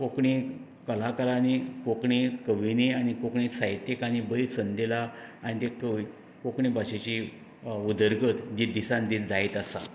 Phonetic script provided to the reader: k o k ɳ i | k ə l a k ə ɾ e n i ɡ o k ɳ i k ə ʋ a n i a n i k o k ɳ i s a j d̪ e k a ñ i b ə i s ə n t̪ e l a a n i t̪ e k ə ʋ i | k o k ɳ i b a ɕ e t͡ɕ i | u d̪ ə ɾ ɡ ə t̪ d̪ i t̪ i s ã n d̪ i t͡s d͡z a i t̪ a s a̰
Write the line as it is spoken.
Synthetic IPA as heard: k o k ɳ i | k ə l a k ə ɾ a n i k o k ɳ i k ə ʋ i n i a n i k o k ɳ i s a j t̪ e k a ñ i b ə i s ə n d̪ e l a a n i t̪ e k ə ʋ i | k o k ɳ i b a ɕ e t͡ɕ i | u d̪ ə ɾ ɡ ə t̪ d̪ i d̪ i s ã n d̪ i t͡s d͡z a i t̪ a s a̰